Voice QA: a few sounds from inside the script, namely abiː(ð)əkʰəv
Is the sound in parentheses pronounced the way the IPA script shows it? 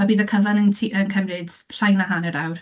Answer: yes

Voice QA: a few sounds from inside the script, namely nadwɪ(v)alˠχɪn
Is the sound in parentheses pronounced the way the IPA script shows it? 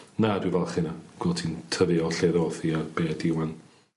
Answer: yes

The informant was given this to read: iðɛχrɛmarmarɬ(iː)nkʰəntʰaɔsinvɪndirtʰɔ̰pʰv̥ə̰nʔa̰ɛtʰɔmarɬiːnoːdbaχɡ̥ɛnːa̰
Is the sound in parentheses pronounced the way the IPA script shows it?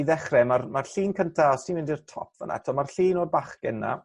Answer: yes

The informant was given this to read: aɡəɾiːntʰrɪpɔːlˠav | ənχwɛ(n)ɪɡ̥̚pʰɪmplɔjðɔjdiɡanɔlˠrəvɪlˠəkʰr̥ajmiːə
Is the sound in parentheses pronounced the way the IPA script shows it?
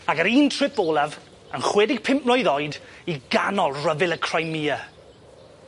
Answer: no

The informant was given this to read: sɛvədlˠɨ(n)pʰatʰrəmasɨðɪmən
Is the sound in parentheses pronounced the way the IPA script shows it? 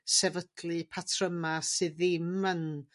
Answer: no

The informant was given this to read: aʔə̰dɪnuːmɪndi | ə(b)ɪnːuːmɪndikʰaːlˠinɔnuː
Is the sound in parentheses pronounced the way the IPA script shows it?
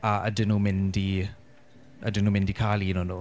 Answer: no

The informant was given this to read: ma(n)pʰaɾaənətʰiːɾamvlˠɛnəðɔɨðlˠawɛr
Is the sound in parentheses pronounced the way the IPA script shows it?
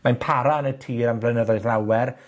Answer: yes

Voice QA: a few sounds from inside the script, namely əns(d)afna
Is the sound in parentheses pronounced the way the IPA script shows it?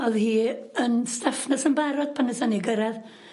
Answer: no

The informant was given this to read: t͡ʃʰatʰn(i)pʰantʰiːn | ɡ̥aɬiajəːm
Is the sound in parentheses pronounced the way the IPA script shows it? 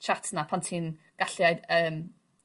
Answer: no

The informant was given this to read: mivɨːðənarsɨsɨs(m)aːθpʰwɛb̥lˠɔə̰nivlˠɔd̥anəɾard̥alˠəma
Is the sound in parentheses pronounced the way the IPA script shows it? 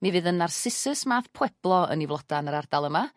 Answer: yes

